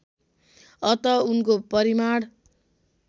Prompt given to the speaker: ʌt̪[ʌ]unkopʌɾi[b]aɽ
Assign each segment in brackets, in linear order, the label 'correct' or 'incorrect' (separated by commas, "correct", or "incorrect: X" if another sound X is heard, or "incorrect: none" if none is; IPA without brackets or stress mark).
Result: correct, incorrect: m